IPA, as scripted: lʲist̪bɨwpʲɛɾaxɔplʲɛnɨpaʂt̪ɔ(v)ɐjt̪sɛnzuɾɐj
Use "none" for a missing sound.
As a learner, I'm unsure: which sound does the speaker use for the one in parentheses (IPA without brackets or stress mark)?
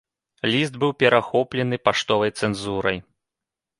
v